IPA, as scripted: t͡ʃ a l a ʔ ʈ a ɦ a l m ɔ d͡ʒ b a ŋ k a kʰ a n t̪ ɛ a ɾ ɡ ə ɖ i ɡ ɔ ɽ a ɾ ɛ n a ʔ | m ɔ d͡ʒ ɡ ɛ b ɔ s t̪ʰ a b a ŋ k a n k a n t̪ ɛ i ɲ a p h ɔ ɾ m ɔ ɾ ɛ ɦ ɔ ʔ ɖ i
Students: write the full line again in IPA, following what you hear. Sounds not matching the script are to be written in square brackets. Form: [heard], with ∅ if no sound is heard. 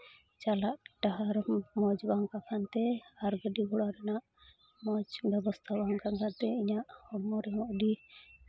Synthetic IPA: t͡ʃ a l a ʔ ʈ a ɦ a [ɾ] m ɔ d͡ʒ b a ŋ k a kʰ a n t̪ ɛ a ɾ ɡ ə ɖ i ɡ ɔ ɽ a ɾ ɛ n a ʔ | m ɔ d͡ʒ [b] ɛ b ɔ s t̪ʰ a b a ŋ k a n k a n t̪ ɛ i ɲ a [ʔ] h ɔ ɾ m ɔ ɾ ɛ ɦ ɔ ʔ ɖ i